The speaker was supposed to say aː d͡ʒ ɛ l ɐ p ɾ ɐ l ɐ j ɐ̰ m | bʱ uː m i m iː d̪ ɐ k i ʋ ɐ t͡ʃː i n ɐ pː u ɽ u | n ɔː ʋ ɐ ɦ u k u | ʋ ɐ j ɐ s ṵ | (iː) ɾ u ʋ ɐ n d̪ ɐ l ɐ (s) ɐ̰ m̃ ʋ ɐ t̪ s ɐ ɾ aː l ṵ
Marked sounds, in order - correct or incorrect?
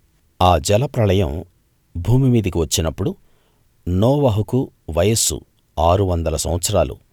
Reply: incorrect, correct

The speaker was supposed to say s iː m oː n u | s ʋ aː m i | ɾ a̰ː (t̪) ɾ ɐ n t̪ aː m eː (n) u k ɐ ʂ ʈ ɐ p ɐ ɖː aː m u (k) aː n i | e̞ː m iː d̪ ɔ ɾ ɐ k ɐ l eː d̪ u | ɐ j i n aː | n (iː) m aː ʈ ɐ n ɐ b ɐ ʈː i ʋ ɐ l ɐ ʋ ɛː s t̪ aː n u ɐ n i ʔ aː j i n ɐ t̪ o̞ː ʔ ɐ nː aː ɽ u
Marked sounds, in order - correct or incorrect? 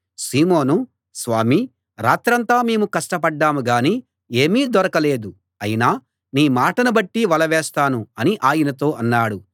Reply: correct, incorrect, incorrect, correct

